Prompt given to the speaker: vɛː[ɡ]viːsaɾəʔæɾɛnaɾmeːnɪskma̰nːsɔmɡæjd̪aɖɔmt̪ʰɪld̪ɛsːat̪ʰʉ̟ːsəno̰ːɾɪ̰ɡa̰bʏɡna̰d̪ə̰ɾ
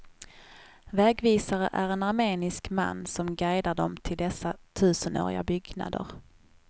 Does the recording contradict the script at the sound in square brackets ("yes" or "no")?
no